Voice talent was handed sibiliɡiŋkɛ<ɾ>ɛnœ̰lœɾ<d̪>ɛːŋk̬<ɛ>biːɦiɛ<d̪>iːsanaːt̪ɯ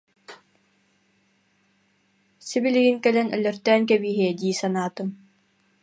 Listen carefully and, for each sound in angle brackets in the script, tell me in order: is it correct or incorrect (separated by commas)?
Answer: incorrect, incorrect, correct, correct